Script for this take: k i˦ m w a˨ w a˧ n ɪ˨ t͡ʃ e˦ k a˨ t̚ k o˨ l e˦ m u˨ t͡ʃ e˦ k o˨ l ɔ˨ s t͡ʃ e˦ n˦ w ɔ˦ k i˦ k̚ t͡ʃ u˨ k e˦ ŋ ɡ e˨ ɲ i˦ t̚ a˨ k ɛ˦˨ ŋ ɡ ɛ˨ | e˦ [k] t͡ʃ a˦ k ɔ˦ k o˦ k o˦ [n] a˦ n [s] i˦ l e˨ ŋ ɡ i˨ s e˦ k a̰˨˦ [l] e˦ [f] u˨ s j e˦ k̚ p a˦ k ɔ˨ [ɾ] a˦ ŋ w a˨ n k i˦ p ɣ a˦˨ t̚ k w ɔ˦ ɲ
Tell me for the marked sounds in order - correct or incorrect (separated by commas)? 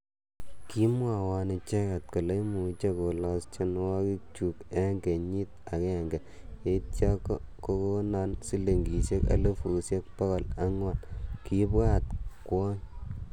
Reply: incorrect, correct, correct, correct, correct, incorrect